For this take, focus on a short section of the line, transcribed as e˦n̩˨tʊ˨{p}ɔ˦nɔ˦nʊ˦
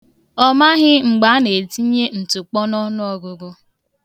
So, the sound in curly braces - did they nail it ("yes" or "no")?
no